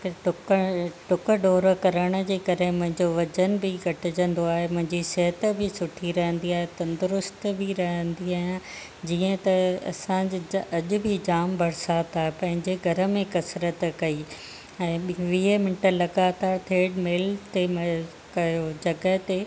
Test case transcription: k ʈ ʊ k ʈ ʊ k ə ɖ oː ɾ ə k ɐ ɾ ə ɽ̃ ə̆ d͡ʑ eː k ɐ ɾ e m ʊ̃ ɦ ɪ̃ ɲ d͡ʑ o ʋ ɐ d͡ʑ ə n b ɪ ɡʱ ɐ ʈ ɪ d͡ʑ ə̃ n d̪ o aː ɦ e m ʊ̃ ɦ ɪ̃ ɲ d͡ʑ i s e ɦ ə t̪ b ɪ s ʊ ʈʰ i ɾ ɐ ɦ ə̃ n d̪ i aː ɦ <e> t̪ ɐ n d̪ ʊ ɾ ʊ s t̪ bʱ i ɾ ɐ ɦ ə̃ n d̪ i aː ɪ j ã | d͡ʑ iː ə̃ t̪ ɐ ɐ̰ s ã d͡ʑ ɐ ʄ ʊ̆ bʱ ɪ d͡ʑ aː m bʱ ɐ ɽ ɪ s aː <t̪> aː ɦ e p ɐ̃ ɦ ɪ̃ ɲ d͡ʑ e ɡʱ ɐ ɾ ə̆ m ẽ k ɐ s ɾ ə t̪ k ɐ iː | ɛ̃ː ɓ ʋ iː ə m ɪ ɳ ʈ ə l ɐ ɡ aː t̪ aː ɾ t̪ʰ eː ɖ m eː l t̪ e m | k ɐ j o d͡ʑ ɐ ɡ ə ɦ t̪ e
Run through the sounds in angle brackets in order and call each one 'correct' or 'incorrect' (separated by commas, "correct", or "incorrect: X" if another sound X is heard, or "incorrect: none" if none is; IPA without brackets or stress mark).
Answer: correct, correct